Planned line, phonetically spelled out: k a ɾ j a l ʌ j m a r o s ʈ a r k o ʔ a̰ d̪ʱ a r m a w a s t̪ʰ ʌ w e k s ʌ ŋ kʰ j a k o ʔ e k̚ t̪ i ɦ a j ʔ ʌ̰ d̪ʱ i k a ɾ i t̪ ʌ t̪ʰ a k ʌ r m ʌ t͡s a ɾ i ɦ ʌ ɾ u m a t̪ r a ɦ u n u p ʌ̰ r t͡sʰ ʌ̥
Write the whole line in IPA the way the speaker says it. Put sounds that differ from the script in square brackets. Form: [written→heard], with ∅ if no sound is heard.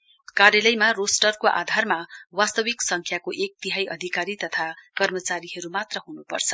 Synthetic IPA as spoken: k a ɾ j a l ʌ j m a r o s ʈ [a→ʌ] r k o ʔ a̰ d̪ʱ a r m a w a s [t̪ʰ→t̪] ʌ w [e→i] k s ʌ ŋ kʰ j a k o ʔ e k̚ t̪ i ɦ a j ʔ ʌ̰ d̪ʱ i k a ɾ i t̪ ʌ t̪ʰ a k ʌ r m ʌ t͡s a ɾ i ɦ ʌ ɾ u m a t̪ r [a→ʌ] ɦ u n u p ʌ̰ r t͡sʰ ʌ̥

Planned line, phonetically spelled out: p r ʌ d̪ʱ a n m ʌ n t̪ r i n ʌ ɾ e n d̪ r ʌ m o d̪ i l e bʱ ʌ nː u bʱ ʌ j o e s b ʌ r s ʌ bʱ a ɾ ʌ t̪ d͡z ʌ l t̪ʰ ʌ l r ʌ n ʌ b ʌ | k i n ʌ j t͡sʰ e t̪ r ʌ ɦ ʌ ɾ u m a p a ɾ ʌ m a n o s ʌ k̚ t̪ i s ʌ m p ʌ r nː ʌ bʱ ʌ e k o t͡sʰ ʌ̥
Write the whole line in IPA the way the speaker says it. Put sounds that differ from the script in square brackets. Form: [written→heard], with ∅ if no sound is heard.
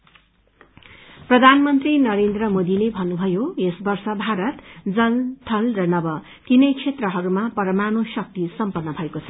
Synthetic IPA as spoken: p r ʌ d̪ʱ a n m ʌ n t̪ r i n ʌ ɾ e n d̪ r ʌ m o d̪ i l e bʱ ʌ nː u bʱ ʌ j o e s b ʌ r s ʌ bʱ a ɾ ʌ t̪ d͡z ʌ l t̪ʰ ʌ l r ʌ n ʌ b ʌ | k i n ʌ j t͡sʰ e t̪ r ʌ ɦ ʌ ɾ u m a p [a→ʌ] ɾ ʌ m a n o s ʌ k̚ t̪ i s ʌ m p ʌ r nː ʌ bʱ ʌ e k o t͡sʰ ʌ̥

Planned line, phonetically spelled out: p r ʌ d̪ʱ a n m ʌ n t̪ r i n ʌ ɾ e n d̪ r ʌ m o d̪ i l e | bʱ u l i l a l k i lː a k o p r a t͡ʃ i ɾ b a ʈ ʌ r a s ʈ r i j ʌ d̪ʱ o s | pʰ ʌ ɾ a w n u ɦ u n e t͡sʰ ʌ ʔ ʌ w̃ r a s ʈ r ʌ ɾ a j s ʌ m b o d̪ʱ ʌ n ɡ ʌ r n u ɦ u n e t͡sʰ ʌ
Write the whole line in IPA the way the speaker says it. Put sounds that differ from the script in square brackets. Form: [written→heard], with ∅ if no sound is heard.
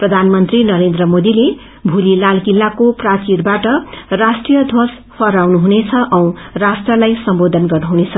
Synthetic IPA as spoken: p r ʌ d̪ʱ a n m ʌ n t̪ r i n ʌ ɾ e n d̪ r ʌ m o d̪ i l e | bʱ u l i l a l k i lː a k o p r a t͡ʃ i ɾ b a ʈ ʌ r a s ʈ r i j ʌ d̪ʱ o s | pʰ ʌ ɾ a w n u ɦ u n e t͡sʰ ʌ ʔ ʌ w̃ r a s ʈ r ʌ [ɾ→l] a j s ʌ m b o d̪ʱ ʌ n ɡ ʌ r n u ɦ u n e t͡sʰ ʌ

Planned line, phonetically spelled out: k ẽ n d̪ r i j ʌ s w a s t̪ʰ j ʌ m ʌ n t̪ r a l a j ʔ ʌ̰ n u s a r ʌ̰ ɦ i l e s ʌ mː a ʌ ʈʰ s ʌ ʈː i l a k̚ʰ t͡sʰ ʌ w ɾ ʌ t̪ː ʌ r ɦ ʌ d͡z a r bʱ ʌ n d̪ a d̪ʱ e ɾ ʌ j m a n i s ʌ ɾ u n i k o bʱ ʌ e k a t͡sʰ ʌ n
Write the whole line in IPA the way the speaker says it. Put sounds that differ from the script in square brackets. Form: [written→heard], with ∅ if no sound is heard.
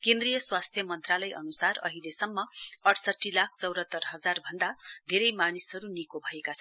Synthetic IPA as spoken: k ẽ n d̪ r i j ʌ s w a s t̪ʰ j ʌ m ʌ n t̪ r a l [a→ʌ] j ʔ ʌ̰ n u s a r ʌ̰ ɦ i l e s ʌ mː [a→ʌ] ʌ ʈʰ s ʌ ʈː i l a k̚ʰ [t͡sʰ→t͡s] ʌ w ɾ ʌ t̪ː ʌ r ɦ ʌ d͡z a r bʱ ʌ n d̪ a d̪ʱ e ɾ ʌ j m a n i s ʌ ɾ u n i k o bʱ ʌ e k a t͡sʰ ʌ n

